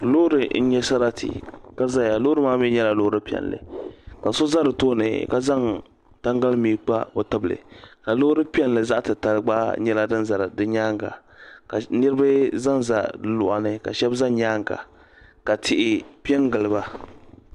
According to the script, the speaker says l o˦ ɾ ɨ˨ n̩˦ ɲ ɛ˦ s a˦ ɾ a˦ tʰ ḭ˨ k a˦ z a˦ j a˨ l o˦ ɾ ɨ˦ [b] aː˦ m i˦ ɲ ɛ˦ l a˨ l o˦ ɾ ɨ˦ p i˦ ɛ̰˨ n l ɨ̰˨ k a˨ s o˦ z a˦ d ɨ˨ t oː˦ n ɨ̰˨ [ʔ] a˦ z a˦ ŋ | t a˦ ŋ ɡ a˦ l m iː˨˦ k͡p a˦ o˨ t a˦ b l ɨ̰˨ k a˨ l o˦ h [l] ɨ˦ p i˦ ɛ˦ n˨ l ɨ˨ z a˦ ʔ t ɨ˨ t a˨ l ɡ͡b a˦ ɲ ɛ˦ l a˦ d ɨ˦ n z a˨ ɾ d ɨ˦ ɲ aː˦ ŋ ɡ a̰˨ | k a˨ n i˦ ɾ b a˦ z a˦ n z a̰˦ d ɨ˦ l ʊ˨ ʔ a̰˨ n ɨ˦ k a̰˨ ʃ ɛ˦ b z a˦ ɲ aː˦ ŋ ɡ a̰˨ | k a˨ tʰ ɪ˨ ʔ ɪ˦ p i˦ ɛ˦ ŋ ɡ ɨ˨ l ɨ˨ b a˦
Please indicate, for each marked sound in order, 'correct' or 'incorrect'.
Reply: incorrect, incorrect, incorrect

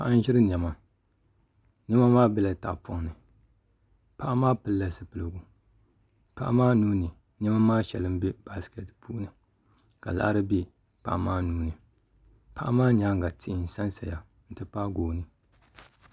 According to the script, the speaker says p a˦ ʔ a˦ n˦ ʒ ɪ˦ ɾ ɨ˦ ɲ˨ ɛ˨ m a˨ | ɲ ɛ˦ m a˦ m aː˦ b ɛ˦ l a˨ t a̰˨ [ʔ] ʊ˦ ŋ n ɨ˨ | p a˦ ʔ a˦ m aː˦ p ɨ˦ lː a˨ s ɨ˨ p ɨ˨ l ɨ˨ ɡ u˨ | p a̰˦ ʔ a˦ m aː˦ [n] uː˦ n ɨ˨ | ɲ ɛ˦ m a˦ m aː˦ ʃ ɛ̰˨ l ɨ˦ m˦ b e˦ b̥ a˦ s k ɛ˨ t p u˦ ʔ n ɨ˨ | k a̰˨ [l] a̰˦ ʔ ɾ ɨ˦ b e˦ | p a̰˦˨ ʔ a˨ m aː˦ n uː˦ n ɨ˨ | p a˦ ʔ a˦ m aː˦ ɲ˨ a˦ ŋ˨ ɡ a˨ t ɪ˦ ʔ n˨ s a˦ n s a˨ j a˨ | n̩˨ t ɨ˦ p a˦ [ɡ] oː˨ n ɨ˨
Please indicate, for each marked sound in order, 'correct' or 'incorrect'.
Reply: incorrect, correct, correct, correct

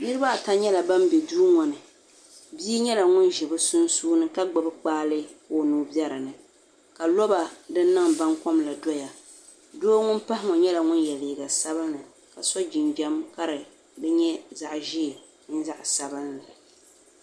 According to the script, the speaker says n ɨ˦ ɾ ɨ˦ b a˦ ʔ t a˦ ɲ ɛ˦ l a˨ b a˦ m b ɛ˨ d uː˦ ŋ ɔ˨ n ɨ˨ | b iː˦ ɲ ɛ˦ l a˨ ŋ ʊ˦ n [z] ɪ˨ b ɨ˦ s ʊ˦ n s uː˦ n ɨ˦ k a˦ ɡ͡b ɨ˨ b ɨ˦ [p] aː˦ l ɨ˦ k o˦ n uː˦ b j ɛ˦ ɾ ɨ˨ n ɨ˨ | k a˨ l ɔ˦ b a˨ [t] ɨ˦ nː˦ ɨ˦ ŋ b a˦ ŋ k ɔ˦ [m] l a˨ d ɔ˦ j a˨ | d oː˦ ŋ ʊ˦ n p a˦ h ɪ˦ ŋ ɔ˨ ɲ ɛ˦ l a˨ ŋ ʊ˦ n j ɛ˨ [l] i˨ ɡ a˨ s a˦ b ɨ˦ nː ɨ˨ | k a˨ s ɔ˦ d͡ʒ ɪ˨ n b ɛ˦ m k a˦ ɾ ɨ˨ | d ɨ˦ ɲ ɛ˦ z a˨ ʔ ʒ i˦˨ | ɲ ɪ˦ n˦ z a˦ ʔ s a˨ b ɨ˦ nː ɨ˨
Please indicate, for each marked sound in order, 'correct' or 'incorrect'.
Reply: incorrect, incorrect, incorrect, correct, correct

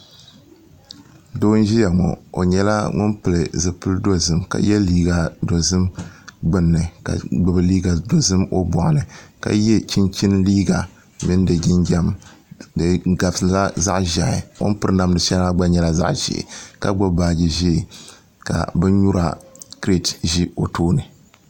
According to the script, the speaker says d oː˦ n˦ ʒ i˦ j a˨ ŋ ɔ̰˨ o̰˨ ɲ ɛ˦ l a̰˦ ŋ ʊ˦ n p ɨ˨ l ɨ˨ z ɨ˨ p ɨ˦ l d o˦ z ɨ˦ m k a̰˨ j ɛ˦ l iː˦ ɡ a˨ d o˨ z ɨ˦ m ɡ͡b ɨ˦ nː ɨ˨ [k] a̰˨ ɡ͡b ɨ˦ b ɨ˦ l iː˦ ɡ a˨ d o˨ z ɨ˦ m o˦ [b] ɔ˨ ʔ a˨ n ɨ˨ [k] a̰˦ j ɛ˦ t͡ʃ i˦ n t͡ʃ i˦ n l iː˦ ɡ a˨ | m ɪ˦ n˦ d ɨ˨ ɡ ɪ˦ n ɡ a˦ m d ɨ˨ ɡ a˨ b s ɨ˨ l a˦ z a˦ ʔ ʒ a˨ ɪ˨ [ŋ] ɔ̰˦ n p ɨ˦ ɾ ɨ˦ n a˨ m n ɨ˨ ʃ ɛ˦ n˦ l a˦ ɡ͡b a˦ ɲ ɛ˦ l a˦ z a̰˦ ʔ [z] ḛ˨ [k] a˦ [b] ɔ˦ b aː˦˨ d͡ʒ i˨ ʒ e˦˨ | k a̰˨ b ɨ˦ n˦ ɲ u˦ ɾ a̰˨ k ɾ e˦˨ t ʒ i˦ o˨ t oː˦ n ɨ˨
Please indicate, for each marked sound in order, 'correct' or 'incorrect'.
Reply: correct, correct, correct, correct, incorrect, correct, incorrect

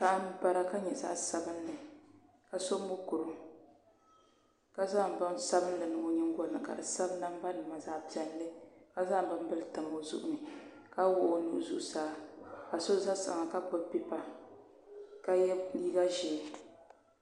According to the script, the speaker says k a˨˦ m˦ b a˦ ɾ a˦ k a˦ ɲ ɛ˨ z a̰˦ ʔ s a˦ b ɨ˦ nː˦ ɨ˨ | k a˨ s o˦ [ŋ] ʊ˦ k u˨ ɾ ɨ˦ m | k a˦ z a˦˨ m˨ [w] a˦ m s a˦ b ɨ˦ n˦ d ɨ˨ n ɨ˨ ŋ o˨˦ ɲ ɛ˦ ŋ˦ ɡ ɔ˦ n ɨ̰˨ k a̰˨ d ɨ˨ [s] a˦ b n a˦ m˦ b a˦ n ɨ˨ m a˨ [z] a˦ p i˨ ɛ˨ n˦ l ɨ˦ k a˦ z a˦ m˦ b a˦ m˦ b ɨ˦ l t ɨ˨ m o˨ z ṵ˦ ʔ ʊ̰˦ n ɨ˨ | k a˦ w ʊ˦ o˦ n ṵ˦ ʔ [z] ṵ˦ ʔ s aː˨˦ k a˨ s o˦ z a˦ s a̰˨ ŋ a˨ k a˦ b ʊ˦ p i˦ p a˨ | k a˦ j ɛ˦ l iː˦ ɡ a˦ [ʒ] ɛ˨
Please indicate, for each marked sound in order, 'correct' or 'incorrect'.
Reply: incorrect, incorrect, correct, correct, correct, correct

